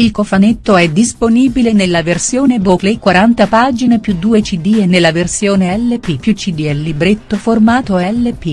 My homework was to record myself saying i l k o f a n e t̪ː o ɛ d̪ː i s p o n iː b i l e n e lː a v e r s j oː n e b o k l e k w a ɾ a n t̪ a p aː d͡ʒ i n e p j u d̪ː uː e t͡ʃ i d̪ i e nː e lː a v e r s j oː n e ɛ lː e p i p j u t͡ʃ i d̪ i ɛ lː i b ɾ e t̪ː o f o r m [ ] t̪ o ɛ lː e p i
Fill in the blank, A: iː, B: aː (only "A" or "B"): B